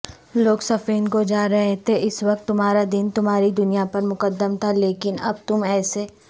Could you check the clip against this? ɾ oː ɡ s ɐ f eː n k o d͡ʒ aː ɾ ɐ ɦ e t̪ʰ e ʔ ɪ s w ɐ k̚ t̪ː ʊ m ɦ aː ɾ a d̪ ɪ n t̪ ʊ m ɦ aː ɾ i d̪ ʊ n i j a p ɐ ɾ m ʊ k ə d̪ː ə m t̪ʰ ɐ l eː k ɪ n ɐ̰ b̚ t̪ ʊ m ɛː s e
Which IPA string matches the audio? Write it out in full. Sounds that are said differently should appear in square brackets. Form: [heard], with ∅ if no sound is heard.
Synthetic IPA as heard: [l] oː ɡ s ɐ f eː n k o d͡ʒ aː ɾ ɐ ɦ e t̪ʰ e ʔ ɪ s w ɐ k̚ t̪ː ʊ m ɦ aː ɾ a d̪ ɪ n t̪ ʊ m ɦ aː ɾ i d̪ ʊ n i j a p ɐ ɾ m ʊ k ə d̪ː ə m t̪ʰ [a] l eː k ɪ n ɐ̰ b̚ t̪ ʊ m ɛː s e